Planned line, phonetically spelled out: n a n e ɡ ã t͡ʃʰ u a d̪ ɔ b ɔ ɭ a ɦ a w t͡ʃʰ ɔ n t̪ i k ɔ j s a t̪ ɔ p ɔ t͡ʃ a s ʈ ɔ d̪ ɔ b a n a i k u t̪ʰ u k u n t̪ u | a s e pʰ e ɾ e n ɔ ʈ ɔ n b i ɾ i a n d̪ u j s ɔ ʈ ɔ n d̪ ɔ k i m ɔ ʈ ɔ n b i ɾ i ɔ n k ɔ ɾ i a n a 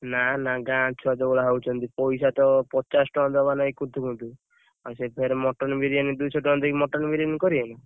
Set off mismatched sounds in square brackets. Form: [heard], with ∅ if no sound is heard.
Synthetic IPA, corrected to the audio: n a n [a] ɡ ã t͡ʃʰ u a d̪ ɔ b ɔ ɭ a ɦ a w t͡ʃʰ ɔ n t̪ i [p] ɔ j s a t̪ ɔ p ɔ t͡ʃ a s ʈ ɔ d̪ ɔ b a n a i k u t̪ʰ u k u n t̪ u | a s e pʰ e ɾ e [m] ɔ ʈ ɔ n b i ɾ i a n d̪ u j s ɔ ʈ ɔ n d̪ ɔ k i m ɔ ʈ ɔ n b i ɾ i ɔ n k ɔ ɾ i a n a